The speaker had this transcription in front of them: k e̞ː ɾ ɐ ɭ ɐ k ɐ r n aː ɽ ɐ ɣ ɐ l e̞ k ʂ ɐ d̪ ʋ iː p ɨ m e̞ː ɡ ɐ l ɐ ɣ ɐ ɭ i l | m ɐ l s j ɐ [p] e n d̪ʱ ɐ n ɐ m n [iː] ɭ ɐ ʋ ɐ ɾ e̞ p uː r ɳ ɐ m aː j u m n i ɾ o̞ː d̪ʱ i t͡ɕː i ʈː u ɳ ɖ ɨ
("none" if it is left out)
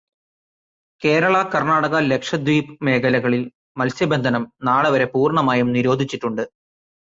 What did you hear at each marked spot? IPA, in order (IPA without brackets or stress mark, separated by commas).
b, aː